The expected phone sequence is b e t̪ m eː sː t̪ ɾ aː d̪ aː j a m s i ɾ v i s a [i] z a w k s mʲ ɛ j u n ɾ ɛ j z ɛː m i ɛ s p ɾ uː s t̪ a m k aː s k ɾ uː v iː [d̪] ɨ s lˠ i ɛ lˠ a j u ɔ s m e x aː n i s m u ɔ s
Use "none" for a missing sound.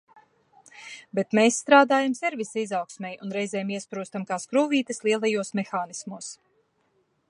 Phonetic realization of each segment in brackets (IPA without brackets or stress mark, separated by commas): i, t̪